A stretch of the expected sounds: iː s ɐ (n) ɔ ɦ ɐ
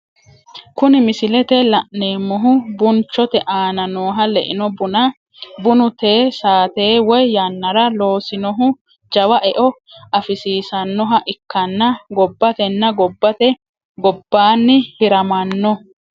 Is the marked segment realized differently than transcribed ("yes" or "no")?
yes